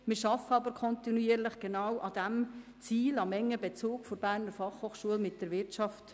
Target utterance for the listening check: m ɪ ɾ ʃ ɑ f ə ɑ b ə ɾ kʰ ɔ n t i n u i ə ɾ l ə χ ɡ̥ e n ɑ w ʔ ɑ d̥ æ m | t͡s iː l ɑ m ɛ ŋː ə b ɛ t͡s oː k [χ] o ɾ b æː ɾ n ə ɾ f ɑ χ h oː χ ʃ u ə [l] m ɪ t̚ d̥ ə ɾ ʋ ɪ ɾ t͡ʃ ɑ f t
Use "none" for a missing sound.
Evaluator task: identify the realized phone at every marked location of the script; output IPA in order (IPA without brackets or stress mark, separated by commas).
f, l